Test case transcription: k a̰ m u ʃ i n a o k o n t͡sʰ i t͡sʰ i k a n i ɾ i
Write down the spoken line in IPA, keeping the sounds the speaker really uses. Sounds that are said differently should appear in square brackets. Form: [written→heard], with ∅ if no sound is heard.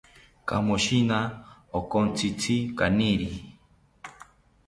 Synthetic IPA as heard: k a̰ m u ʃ i n a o k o n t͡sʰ i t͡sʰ i k a n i ɾ i